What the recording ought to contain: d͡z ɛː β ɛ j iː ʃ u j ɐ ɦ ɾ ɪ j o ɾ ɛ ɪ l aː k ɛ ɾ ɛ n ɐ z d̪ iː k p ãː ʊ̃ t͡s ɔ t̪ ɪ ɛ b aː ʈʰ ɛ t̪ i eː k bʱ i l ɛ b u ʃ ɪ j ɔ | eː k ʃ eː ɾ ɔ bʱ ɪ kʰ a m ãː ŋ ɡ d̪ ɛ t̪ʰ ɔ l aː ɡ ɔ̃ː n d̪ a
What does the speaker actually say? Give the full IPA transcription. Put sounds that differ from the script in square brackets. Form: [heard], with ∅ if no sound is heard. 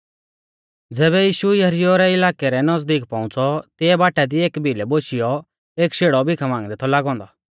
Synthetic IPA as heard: d͡z ɛː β ɛ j iː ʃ u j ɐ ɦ ɾ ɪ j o ɾ ɛ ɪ l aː k ɛ ɾ ɛ n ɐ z d̪ iː k p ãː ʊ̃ t͡s ɔ t̪ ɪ ɛ b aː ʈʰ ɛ [d̪] i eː k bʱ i l ɛ b [o] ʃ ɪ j ɔ | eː k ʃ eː [ɽ] ɔ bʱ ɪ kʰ a m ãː ŋ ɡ d̪ ɛ t̪ʰ ɔ l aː ɡ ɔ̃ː n d̪ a

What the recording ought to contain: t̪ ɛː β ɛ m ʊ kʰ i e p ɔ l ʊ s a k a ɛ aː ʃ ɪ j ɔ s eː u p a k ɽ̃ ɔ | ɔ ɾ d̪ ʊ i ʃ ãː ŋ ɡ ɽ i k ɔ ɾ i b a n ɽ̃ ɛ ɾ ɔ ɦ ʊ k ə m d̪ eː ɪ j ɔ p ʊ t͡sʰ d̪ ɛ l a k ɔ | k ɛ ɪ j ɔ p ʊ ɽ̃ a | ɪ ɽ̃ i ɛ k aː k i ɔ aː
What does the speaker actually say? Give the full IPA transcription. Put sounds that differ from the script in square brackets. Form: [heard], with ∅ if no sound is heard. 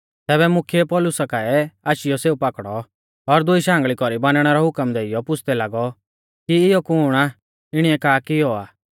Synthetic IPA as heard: t̪ ɛː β ɛ m ʊ kʰ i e p ɔ l ʊ s a k a ɛ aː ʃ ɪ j ɔ s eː u p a k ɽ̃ ɔ | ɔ ɾ d̪ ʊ i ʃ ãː ŋ ɡ [ɭ] i k ɔ ɾ i b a n ɽ̃ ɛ ɾ ɔ ɦ ʊ k ə m d̪ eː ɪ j ɔ p ʊ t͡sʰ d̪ ɛ l a [ɡ] ɔ | k [i] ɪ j ɔ [k] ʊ ɽ̃ a | ɪ ɽ̃ i ɛ k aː k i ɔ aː

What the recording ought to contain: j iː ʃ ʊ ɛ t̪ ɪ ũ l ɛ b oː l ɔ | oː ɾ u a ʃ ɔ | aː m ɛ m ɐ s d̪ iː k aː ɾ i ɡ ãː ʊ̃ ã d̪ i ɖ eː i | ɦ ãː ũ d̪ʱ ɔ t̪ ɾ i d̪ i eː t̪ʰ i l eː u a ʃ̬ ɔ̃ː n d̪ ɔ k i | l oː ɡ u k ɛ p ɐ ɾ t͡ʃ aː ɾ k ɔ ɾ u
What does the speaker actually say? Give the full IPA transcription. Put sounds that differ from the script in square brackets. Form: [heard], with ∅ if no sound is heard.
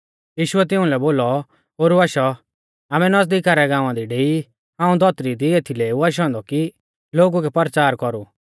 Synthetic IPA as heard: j iː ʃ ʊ ɛ t̪ ɪ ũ l ɛ b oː l ɔ | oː ɾ u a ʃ ɔ | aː m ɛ [n] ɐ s d̪ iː k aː ɾ [ɛ] ɡ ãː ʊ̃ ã d̪ i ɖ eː i | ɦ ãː ũ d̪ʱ ɔ t̪ ɾ i d̪ i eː t̪ʰ i l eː u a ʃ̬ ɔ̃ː n d̪ ɔ k i | l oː ɡ u k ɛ p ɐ ɾ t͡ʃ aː ɾ k ɔ ɾ u

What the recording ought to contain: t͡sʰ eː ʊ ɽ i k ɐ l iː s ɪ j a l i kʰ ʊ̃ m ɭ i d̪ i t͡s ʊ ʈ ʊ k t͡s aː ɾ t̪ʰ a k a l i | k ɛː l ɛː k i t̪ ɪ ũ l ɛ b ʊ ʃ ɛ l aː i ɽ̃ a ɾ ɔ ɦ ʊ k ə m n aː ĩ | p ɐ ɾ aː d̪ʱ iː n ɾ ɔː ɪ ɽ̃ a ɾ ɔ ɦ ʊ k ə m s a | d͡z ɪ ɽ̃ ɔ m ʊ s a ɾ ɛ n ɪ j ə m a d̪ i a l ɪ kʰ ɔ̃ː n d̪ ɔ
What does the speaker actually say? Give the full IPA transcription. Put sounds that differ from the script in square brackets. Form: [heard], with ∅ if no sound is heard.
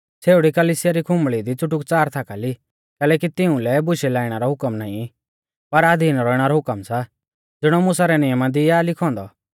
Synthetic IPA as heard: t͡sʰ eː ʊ ɽ i k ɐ l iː s ɪ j a [ɾ] i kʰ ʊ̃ m ɭ i d̪ i t͡s ʊ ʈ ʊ k t͡s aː ɾ t̪ʰ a k a l i | k ɛː l ɛː k i t̪ ɪ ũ l ɛ b ʊ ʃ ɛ l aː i ɽ̃ a ɾ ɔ ɦ ʊ k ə m n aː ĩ | p ɐ ɾ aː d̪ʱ iː n ɾ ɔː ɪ ɽ̃ a ɾ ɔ ɦ ʊ k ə m s a | d͡z ɪ ɽ̃ ɔ m ʊ s a ɾ ɛ n ɪ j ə m a d̪ i a l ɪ kʰ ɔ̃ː n d̪ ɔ

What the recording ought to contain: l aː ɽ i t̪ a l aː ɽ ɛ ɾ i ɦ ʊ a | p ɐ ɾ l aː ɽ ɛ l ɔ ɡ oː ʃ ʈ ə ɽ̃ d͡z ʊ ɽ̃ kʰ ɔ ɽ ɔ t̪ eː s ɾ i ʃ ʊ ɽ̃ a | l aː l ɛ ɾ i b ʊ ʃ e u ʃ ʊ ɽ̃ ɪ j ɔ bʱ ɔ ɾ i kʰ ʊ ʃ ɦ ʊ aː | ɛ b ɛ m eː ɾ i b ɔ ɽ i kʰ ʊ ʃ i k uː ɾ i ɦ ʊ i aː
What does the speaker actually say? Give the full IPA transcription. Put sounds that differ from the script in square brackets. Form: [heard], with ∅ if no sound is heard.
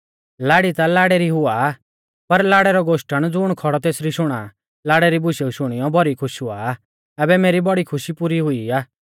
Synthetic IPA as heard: l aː ɽ i t̪ a l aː ɽ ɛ ɾ i ɦ ʊ a | p ɐ ɾ l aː ɽ ɛ [ɾ] ɔ ɡ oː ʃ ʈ ə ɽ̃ d͡z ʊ ɽ̃ kʰ ɔ ɽ ɔ t̪ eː s ɾ i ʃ ʊ ɽ̃ a | l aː [ɽ] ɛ ɾ i b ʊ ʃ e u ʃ ʊ ɽ̃ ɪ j ɔ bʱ ɔ ɾ i kʰ ʊ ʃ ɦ ʊ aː | ɛ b ɛ m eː ɾ i b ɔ ɽ i kʰ ʊ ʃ i [p] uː ɾ i ɦ ʊ i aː

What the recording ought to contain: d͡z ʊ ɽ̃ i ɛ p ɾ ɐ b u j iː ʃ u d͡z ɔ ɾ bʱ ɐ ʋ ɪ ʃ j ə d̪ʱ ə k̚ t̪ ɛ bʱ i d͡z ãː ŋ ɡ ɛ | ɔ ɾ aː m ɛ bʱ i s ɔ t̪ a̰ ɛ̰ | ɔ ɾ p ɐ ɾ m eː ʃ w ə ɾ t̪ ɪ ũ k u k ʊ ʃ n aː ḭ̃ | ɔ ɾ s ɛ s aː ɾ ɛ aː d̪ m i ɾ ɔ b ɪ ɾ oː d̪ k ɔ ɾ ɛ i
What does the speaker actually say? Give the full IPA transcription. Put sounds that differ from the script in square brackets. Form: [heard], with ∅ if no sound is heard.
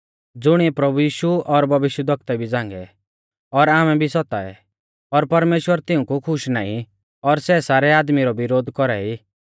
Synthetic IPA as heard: d͡z ʊ ɽ̃ i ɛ p ɾ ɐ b u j iː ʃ u [∅] ɔ ɾ bʱ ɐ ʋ ɪ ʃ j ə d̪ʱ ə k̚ t̪ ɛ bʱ i d͡z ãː ŋ ɡ ɛ | ɔ ɾ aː m ɛ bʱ i s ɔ t̪ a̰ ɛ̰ | ɔ ɾ p ɐ ɾ m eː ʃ w ə ɾ t̪ ɪ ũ k u [kʰ] ʊ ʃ n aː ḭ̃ | ɔ ɾ s ɛ s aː ɾ ɛ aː d̪ m i ɾ ɔ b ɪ ɾ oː d̪ k ɔ ɾ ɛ i

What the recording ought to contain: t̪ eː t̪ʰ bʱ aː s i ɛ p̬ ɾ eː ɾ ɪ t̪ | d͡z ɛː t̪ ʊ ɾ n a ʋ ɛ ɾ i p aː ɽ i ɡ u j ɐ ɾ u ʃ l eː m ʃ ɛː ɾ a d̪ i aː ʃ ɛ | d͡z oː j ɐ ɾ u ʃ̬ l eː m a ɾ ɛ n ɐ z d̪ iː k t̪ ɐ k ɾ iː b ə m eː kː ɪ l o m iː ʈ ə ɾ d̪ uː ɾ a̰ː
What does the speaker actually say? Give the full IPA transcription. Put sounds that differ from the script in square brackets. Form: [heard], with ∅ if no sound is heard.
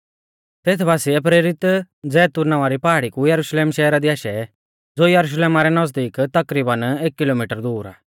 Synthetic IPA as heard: t̪ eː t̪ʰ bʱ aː s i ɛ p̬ ɾ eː ɾ ɪ t̪ | d͡z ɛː t̪ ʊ ɾ n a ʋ [a] ɾ i p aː ɽ i [k] u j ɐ ɾ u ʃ l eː m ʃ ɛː ɾ a d̪ i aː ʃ ɛ | d͡z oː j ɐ ɾ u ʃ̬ l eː m a ɾ ɛ n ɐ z d̪ iː k t̪ ɐ k ɾ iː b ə [n] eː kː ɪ l o m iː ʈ ə ɾ d̪ uː ɾ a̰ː

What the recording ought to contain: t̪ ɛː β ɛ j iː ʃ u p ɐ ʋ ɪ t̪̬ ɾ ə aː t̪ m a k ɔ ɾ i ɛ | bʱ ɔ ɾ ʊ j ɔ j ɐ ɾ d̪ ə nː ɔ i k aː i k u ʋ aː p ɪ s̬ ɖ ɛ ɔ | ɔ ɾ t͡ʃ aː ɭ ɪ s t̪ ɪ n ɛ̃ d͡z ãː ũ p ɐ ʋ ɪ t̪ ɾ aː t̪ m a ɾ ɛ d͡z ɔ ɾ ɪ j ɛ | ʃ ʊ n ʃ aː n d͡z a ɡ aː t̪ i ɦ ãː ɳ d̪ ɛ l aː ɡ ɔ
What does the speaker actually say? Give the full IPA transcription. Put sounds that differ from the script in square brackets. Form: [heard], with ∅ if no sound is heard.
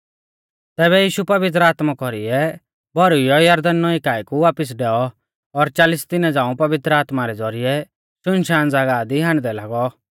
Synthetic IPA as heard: t̪ ɛː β ɛ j iː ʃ u p ɐ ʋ ɪ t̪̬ ɾ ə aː t̪ m a k ɔ ɾ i ɛ | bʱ ɔ ɾ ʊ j ɔ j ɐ ɾ d̪ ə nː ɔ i k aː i k u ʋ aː p ɪ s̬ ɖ ɛ ɔ | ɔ ɾ t͡ʃ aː [l] ɪ s t̪ ɪ n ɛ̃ d͡z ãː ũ p ɐ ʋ ɪ t̪ ɾ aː t̪ m a ɾ ɛ d͡z ɔ ɾ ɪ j ɛ | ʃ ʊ n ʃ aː n d͡z a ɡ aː [d̪] i ɦ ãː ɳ d̪ ɛ l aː ɡ ɔ

